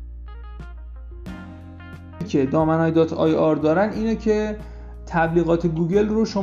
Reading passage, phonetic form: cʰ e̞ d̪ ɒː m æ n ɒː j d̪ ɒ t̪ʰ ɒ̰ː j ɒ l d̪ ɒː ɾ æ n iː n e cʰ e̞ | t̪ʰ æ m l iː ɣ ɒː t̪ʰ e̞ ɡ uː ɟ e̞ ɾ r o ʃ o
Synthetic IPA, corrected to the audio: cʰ e̞ d̪ ɒː m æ n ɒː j d̪ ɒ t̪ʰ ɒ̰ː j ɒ ɾ d̪ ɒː ɾ æ n iː n e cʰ e̞ | t̪ʰ æ b l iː ɣ ɒː t̪ʰ e̞ ɡ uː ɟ e̞ l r o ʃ o